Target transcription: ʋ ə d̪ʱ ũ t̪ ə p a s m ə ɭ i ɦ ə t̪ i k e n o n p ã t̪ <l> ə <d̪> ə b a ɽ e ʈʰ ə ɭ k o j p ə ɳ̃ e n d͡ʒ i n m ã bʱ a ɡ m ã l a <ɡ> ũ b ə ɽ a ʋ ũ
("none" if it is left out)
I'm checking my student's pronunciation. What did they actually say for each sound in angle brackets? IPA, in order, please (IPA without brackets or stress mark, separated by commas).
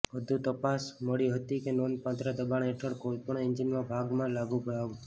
ɾ, d̪, ɡ